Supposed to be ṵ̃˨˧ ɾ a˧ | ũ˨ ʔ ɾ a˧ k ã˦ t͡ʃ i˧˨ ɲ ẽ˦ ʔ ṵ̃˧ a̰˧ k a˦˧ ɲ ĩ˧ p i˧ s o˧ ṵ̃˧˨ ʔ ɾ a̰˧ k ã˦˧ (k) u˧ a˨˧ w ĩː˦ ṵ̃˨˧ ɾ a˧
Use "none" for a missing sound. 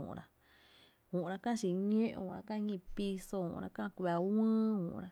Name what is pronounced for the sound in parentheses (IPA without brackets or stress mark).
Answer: k